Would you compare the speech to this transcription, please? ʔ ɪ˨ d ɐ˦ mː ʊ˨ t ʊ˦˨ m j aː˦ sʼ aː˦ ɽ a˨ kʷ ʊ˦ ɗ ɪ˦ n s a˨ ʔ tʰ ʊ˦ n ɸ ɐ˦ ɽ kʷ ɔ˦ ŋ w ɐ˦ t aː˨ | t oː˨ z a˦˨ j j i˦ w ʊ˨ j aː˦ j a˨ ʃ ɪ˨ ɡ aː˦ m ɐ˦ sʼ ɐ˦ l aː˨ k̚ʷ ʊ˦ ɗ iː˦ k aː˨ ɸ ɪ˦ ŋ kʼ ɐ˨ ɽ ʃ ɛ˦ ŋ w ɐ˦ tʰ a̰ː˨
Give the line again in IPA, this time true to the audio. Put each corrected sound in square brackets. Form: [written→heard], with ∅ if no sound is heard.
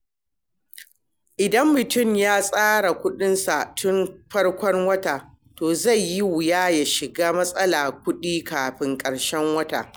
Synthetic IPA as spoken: ʔ ɪ˨ d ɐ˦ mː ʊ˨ t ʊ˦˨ m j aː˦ sʼ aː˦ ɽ a˨ kʷ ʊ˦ ɗ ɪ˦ n s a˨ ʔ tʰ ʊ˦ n ɸ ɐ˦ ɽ kʷ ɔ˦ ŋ w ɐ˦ t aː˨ | t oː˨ z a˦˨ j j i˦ w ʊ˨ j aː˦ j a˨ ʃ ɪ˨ ɡ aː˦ m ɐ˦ sʼ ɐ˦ l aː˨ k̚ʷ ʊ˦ ɗ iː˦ k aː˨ ɸ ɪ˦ ŋ kʼ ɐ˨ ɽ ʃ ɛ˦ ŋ w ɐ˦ [tʰ→t] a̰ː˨